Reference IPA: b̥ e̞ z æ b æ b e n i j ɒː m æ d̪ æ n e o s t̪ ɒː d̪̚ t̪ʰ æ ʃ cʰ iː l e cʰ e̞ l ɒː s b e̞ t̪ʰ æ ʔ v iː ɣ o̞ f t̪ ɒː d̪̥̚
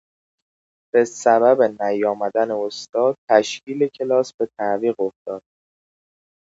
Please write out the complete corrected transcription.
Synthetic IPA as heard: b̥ e̞ s æ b æ b e n æ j ɒː m æ d̪ æ n e o s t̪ ɒː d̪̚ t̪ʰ æ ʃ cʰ iː l e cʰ e̞ l ɒː s b e̞ t̪ʰ æ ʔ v iː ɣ o̞ f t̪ ɒː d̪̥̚